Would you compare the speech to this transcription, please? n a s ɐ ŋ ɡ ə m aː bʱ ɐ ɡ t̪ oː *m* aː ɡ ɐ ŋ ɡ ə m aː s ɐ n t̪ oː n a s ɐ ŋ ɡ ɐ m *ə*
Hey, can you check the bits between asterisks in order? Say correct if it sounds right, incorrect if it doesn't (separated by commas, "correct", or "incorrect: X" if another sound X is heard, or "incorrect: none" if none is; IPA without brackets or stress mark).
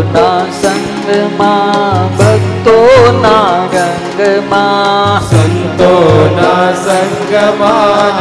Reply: incorrect: n, incorrect: a